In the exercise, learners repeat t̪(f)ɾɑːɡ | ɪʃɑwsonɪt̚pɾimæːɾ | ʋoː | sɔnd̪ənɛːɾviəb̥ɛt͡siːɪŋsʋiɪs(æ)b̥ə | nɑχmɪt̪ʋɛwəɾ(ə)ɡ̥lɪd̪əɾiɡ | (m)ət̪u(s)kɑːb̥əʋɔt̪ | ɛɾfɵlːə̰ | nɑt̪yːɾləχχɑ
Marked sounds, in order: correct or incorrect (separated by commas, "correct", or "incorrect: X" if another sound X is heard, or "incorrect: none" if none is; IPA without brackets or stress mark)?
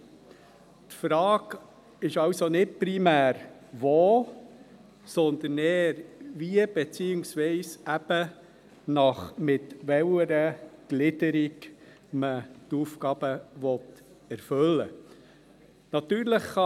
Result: correct, correct, correct, correct, incorrect: f